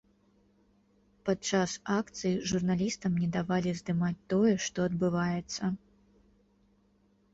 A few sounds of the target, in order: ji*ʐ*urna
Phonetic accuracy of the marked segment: correct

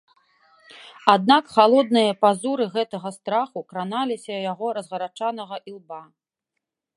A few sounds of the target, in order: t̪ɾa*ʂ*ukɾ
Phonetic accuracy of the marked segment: incorrect: x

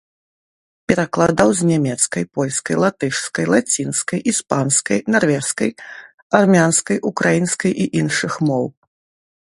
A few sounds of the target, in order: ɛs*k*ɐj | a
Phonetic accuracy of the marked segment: correct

